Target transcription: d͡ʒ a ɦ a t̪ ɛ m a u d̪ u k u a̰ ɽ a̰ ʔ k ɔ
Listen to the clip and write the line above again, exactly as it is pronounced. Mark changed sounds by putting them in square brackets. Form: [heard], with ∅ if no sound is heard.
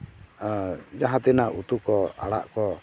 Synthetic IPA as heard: d͡ʒ a ɦ a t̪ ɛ [n] a u [t̪] u k [ɔ] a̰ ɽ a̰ ʔ k ɔ